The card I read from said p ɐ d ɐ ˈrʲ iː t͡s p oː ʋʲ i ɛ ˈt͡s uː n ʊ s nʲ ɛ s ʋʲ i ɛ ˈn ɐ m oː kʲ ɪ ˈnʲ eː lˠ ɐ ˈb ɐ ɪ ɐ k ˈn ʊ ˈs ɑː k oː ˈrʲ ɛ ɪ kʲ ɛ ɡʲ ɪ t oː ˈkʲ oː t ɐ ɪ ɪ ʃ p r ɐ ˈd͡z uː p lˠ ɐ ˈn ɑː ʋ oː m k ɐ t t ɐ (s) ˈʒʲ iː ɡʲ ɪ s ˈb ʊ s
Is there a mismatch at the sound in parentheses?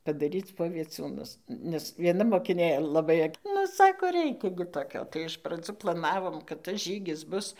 no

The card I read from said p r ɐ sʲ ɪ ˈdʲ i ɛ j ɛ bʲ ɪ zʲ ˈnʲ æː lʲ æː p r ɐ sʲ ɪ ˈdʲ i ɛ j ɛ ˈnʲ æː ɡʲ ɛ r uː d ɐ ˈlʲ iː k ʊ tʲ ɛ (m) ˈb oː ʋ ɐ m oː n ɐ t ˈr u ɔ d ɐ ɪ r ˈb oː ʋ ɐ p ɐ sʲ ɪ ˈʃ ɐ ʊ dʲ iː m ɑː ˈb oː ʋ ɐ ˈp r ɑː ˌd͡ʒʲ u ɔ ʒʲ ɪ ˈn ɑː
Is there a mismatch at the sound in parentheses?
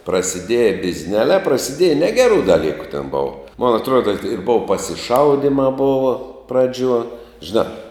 yes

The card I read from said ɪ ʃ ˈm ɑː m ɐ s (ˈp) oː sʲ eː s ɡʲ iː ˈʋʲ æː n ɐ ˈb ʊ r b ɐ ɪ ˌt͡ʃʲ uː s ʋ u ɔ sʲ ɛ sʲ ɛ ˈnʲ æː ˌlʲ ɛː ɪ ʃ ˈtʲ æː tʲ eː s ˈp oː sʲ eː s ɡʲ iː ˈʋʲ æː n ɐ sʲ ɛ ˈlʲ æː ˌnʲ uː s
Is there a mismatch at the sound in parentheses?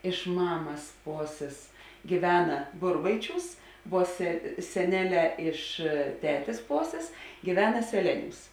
no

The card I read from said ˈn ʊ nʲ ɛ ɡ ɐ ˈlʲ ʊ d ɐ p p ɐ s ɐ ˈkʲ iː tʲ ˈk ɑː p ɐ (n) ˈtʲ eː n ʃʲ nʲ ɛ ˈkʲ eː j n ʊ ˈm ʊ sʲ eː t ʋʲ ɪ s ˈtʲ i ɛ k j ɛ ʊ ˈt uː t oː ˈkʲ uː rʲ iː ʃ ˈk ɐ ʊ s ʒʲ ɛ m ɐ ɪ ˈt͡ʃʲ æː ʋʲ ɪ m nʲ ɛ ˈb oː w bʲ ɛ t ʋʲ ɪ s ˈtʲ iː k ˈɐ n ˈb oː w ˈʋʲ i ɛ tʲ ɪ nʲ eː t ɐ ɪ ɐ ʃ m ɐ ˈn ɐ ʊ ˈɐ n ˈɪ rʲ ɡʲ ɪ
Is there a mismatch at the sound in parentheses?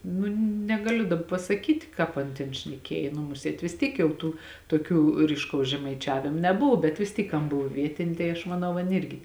no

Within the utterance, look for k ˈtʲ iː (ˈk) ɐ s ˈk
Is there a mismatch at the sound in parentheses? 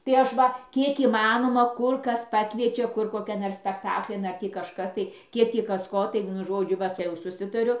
no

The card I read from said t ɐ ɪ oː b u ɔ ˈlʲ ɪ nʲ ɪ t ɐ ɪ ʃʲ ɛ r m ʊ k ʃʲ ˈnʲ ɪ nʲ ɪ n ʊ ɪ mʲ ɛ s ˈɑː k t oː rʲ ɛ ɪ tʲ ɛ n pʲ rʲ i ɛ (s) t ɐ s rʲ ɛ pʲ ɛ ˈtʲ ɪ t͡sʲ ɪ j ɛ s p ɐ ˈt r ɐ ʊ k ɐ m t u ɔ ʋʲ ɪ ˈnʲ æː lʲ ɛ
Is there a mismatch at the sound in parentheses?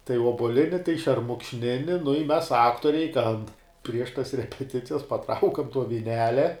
yes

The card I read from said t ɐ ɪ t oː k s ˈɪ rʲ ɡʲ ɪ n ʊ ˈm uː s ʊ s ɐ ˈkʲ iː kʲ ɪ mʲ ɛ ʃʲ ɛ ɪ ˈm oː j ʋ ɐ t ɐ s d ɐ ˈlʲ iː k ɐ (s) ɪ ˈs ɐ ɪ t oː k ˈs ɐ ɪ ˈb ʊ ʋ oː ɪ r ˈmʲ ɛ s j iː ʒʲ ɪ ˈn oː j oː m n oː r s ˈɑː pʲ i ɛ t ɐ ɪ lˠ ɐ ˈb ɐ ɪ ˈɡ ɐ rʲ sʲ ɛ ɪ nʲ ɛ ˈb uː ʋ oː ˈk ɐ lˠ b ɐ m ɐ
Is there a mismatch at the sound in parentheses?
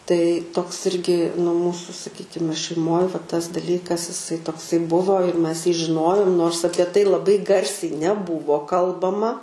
no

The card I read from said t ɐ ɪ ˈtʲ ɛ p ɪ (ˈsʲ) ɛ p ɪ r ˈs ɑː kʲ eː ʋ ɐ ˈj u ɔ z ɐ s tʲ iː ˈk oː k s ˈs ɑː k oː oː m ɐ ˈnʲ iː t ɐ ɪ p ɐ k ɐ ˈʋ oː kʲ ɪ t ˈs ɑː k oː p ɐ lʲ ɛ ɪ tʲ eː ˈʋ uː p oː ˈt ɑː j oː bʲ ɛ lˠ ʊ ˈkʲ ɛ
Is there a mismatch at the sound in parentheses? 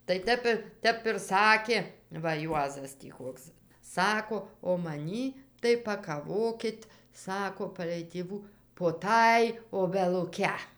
yes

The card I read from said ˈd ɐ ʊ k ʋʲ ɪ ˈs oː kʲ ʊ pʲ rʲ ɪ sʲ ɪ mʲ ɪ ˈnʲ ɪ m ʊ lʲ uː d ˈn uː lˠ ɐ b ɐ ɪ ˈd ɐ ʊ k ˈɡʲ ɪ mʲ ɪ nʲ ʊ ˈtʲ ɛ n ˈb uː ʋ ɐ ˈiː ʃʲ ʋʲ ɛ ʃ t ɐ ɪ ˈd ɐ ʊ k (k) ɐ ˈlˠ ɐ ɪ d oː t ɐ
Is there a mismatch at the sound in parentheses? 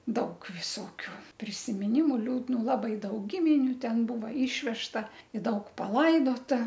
yes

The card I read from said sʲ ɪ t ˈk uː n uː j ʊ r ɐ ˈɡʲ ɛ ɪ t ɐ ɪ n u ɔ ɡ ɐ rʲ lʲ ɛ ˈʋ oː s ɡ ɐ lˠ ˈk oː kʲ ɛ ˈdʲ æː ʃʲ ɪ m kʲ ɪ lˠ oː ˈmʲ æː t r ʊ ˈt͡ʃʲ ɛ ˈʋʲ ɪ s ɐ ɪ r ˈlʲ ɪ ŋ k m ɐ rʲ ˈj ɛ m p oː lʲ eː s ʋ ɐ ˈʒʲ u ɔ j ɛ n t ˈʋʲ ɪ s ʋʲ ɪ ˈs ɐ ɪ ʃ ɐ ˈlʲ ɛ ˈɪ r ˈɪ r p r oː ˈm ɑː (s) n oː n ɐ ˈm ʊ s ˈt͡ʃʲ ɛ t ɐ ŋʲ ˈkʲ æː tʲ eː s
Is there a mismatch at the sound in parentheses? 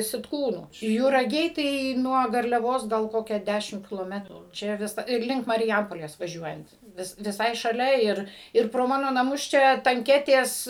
yes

